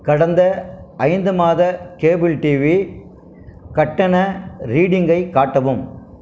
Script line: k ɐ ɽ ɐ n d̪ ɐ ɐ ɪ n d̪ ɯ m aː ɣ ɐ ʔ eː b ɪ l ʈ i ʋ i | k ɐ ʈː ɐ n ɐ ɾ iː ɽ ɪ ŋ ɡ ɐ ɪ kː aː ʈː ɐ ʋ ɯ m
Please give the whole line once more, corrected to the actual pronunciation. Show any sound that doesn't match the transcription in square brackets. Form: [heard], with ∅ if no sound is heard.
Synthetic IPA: k ɐ ɽ ɐ n d̪ ɐ ɐ ɪ n d̪ ɯ m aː [ð] ɐ [k] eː b ɪ l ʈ i ʋ i | k ɐ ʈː ɐ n ɐ ɾ iː ɽ ɪ ŋ ɡ ɐ ɪ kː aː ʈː ɐ ʋ ɯ m